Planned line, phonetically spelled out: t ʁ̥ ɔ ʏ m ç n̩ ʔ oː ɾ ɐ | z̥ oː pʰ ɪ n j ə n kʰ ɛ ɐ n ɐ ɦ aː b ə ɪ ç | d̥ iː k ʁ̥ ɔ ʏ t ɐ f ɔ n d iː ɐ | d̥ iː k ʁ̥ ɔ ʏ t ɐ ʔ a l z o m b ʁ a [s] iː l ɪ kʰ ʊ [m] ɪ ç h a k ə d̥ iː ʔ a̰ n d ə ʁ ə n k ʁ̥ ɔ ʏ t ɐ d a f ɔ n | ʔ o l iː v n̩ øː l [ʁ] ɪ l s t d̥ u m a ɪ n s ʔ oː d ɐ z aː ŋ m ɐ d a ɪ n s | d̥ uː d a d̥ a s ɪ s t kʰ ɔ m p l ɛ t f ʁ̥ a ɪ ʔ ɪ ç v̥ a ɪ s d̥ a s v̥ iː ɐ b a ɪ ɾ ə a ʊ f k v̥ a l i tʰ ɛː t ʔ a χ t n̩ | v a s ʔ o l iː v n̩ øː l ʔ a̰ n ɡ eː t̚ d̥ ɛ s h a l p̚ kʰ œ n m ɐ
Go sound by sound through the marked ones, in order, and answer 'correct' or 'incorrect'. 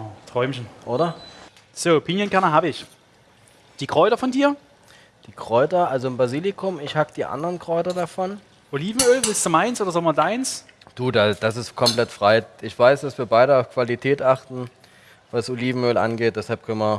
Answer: incorrect, correct, incorrect

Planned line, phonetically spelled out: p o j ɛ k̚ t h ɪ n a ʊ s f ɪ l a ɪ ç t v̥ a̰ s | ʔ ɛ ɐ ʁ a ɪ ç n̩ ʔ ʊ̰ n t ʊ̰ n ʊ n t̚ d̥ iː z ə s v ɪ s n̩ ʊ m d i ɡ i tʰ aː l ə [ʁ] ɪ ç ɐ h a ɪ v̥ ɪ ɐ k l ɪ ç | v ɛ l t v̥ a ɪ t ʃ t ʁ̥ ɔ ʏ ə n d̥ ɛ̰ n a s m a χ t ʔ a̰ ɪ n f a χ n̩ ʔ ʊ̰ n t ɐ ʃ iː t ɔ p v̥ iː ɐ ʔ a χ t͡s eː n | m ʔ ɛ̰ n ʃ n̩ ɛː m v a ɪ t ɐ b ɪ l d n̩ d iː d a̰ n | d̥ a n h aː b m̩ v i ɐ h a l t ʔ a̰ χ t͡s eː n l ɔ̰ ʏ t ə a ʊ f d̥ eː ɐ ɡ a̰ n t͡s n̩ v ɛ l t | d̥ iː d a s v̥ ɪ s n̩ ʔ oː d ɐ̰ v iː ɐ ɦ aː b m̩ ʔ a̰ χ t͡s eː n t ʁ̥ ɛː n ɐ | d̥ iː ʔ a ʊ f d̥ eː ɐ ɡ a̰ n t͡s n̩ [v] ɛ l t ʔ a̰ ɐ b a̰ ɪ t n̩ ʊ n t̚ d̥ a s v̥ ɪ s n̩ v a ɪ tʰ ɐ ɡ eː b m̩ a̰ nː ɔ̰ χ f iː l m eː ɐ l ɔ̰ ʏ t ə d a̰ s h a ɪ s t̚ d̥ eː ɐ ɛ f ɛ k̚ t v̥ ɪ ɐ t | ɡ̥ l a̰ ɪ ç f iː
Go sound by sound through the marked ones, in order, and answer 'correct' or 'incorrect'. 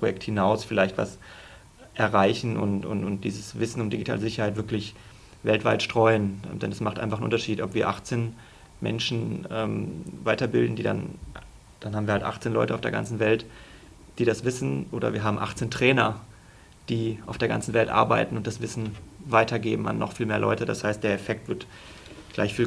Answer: incorrect, correct

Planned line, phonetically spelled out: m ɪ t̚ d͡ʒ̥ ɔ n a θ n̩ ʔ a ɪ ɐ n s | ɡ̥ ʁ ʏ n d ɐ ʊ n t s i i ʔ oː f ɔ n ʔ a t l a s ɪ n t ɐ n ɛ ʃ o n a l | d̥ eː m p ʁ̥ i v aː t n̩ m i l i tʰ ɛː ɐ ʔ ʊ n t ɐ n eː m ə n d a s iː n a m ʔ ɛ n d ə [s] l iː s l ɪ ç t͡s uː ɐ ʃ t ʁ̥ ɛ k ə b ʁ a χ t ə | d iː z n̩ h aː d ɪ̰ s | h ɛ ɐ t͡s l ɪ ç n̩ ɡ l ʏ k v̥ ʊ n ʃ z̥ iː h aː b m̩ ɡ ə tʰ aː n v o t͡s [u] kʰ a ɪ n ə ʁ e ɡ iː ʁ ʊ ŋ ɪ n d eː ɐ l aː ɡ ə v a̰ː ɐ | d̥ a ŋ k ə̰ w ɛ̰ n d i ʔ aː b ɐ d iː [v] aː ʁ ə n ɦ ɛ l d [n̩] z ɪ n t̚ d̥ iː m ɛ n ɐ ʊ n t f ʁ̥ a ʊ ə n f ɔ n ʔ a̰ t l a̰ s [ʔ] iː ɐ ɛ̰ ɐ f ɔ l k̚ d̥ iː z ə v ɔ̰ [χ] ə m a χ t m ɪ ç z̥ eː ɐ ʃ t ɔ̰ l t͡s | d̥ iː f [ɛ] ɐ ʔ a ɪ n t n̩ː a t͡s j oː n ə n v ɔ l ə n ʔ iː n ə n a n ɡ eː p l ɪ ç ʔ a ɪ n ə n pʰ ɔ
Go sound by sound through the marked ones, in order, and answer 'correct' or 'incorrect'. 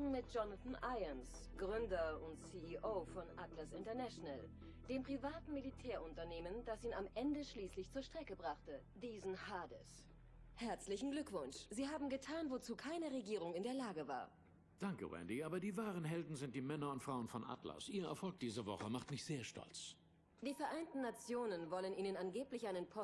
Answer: incorrect, incorrect, correct, correct, correct, correct, correct

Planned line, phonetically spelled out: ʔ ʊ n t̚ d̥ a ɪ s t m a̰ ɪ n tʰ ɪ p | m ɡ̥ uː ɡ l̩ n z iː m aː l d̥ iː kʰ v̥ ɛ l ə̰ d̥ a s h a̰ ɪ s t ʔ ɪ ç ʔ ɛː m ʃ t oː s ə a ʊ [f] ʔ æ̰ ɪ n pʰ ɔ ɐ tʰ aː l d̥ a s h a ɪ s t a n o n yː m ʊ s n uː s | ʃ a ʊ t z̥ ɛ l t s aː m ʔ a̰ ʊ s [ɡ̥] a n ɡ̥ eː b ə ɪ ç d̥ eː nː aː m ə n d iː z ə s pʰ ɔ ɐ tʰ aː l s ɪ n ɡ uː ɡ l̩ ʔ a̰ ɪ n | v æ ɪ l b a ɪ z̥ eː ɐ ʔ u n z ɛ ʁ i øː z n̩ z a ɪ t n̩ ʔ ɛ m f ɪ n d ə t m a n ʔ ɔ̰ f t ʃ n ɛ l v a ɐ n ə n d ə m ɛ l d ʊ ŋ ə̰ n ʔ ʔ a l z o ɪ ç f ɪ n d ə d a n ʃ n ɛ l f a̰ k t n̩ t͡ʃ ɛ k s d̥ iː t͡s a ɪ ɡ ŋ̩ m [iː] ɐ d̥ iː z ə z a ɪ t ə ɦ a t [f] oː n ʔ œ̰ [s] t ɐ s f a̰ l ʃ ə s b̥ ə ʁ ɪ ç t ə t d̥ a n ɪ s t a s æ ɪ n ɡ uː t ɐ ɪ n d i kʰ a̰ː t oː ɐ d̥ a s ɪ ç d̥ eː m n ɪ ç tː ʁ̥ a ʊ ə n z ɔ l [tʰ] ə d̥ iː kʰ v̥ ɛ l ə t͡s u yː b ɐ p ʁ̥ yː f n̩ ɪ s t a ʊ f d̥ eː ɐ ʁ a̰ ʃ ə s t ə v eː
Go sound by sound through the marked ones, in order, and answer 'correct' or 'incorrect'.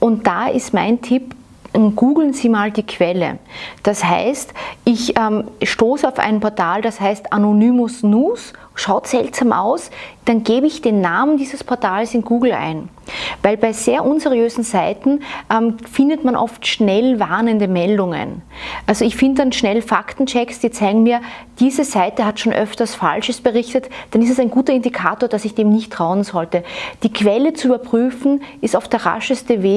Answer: correct, incorrect, correct, incorrect, incorrect, incorrect

